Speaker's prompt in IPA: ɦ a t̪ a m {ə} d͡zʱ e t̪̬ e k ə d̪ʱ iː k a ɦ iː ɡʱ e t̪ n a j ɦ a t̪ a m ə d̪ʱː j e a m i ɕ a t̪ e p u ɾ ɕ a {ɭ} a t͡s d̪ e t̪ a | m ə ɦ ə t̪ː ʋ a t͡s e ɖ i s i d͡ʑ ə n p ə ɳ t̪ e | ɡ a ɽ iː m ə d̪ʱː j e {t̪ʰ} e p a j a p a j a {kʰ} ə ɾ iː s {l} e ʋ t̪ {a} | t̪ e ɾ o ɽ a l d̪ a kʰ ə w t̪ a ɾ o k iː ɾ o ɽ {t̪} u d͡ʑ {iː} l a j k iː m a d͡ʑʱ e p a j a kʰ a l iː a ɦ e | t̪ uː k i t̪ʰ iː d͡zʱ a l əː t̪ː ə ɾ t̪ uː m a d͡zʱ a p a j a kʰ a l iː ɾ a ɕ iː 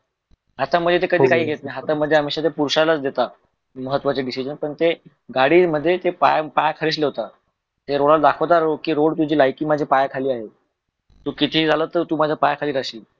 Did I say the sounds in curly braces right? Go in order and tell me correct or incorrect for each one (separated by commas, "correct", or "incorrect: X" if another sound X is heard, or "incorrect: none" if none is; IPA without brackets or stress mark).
correct, incorrect: l, incorrect: t̪, correct, correct, correct, correct, correct